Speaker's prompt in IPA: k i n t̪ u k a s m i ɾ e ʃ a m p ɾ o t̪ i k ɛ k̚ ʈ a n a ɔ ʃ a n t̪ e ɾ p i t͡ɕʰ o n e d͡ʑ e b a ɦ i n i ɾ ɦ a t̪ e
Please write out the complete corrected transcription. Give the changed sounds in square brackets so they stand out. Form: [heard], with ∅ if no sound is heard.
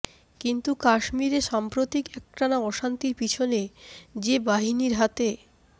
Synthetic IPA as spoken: k i n t̪ u k a [ʃ] m i ɾ e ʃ a m p ɾ o t̪ i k ɛ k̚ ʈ a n a ɔ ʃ a n t̪ [i] ɾ p i t͡ɕʰ o n e d͡ʑ e b a ɦ i n i ɾ ɦ a t̪ e